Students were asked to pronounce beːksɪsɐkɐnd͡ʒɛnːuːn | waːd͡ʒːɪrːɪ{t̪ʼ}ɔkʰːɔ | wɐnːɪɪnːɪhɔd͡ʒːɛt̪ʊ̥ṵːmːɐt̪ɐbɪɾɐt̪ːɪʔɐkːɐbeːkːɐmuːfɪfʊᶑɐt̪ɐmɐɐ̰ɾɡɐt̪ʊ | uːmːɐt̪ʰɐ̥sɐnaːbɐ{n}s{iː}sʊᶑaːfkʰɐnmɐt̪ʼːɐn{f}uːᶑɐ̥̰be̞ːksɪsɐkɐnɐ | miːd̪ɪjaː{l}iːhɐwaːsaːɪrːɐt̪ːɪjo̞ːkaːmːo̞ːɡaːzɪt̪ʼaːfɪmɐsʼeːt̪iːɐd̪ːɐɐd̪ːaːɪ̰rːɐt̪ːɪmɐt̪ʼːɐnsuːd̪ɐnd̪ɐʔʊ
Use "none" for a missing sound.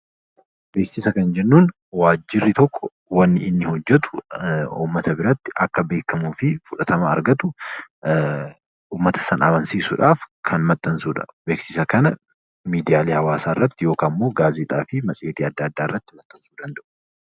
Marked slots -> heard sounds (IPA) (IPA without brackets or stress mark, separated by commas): t̪, n, iː, s, l